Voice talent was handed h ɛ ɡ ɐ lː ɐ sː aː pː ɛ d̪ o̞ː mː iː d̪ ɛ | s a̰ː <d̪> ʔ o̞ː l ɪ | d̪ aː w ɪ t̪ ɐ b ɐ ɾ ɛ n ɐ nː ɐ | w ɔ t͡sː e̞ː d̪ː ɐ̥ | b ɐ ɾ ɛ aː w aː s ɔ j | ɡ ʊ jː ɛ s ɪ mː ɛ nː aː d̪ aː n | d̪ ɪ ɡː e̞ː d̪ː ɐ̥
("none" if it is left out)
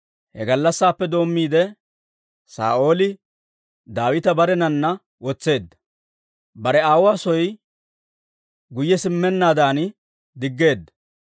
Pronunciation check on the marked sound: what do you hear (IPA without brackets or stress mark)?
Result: none